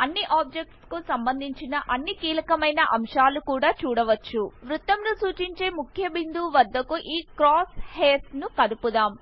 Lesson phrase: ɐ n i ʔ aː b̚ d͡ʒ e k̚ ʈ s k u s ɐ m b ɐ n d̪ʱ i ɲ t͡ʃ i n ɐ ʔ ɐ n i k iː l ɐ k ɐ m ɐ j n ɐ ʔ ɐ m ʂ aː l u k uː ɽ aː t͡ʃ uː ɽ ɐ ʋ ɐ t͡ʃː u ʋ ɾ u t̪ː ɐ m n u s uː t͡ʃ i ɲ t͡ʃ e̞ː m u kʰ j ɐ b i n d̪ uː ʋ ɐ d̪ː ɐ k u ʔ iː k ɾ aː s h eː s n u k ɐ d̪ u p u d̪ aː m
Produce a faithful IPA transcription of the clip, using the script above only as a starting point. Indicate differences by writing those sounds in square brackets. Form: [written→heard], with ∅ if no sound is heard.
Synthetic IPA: ɐ [n→nː] i ʔ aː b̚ d͡ʒ e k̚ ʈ s k u s ɐ m b ɐ n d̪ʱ i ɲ t͡ʃ i n ɐ ʔ ɐ [n→nː] i k iː l ɐ k ɐ m ɐ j n ɐ ʔ ɐ m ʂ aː l u k uː ɽ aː t͡ʃ uː ɽ ɐ ʋ ɐ t͡ʃː u ʋ ɾ u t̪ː ɐ m n u s uː t͡ʃ i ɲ t͡ʃ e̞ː m u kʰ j ɐ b i n d̪ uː ʋ ɐ d̪ː ɐ k u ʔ iː k ɾ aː s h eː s n u k ɐ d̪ u p u d̪ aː m